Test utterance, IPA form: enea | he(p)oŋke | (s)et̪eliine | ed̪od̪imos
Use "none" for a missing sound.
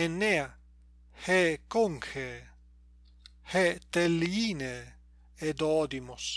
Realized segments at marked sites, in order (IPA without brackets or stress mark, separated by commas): k, h